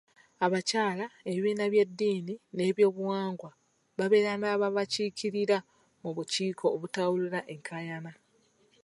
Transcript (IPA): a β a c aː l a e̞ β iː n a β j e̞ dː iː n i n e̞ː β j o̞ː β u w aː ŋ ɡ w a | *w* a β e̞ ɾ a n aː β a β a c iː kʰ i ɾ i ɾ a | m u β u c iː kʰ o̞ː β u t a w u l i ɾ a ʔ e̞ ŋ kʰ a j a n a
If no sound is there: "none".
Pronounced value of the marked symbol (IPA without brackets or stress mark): β